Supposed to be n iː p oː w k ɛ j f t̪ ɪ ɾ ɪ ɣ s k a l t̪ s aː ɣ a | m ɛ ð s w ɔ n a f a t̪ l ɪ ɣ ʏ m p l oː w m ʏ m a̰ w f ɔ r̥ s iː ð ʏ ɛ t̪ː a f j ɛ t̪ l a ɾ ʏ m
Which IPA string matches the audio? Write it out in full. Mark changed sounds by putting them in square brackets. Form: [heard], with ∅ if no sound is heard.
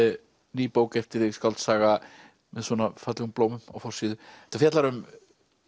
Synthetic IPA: n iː p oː w k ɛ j f t̪ ɪ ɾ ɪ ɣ s k a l t̪ s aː ɣ a | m ɛ ð s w ɔ n a f a t̪ l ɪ ɣ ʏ m p l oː w m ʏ m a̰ w f ɔ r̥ s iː ð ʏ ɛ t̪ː a f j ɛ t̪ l a ɾ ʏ m